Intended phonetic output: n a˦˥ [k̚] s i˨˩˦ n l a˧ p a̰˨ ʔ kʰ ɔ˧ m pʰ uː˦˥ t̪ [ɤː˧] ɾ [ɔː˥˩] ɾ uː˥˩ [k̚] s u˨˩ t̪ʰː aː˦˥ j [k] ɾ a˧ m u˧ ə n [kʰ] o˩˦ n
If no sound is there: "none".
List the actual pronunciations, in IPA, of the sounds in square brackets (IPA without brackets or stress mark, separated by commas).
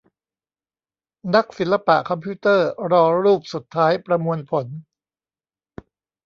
k̚, ɤː˥˩, ɔː˧, p̚, p, pʰ